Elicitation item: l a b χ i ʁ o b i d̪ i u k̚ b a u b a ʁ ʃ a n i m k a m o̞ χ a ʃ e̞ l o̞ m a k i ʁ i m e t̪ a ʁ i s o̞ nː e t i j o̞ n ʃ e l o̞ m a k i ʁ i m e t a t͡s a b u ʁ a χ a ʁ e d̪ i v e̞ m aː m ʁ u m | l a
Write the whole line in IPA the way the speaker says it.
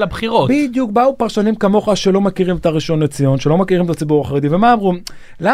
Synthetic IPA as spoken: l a b χ i ʁ o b i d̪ j u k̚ b a u p a ʁ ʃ a n i m k a m o̞ χ a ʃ e̞ l o̞ m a k i ʁ i m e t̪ a ʁ i ʃ o̞ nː e t͡s i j o̞ n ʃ e l o̞ m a k i ʁ i m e t a t͡s i b u ʁ a χ a ʁ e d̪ i v e̞ m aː m ʁ u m | l a